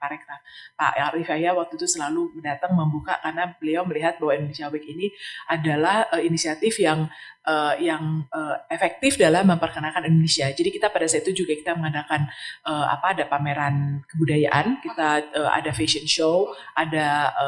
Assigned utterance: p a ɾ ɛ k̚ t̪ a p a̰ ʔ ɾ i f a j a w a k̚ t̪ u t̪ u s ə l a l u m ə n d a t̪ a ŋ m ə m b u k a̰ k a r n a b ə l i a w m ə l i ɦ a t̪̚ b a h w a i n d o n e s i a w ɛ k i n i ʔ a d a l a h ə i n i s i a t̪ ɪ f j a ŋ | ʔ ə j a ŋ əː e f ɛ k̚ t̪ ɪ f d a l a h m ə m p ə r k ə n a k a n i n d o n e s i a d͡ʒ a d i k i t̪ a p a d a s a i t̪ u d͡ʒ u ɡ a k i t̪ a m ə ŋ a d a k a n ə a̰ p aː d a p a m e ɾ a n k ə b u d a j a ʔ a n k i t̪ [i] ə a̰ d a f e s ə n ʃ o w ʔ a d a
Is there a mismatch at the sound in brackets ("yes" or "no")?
yes